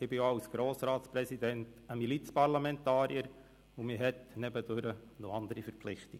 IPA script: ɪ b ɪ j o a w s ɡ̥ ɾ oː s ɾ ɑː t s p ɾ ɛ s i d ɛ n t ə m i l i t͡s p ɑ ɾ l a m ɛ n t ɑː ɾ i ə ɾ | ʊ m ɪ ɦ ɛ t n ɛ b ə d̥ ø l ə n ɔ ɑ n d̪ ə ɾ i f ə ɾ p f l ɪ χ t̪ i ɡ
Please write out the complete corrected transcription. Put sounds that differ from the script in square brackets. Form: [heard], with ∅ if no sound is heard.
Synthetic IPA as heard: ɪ b ɪ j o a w s ɡ̥ ɾ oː s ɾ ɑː t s p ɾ ɛ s i d ɛ n t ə m i l i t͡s p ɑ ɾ l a m ɛ n t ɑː ɾ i ə ɾ | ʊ m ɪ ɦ ɛ t n ɛ b ə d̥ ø [ɾ] ə n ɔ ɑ n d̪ ə ɾ i f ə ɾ p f l ɪ χ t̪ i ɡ